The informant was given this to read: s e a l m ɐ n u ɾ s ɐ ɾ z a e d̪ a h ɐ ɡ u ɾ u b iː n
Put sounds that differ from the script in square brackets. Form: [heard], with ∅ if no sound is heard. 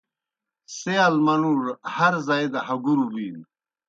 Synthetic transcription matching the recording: s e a l m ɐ n u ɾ [h] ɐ ɾ z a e d̪ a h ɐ ɡ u ɾ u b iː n